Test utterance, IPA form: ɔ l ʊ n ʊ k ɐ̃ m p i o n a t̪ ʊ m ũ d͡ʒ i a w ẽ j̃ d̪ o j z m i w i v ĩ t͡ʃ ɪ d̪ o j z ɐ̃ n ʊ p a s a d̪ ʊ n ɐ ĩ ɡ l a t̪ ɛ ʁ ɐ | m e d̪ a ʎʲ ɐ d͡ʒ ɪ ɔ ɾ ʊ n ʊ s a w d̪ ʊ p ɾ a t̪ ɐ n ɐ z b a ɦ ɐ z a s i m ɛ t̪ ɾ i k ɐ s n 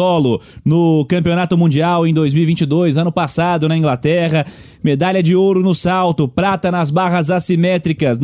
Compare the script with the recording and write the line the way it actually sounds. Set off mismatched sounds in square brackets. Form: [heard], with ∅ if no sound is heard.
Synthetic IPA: ɔ l ʊ n ʊ k ɐ̃ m p i o n a t̪ ʊ m ũ d͡ʒ i a w ẽ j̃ d̪ o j z m i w i v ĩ t͡ʃ ɪ d̪ o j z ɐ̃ n ʊ p a s a d̪ ʊ n ɐ ĩ ɡ l a t̪ ɛ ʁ ɐ | m e d̪ a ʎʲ ɐ d͡ʒ ɪ [o] ɾ ʊ n ʊ s a w [t̪] ʊ p ɾ a t̪ ɐ n ɐ z b a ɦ ɐ z a s i m ɛ t̪ ɾ i k ɐ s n